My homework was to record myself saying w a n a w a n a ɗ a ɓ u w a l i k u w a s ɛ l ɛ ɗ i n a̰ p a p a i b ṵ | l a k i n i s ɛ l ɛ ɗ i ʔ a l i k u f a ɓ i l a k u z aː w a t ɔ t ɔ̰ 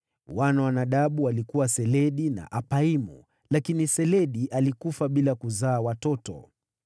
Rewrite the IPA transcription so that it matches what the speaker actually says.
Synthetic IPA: w a n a w a n a ɗ a ɓ u w a l i k u w a s ɛ l ɛ ɗ i n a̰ ʔ a p a i m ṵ | l a k i n i s ɛ l ɛ ɗ i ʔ a l i k u f a ɓ i l a k u z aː w a t ɔ t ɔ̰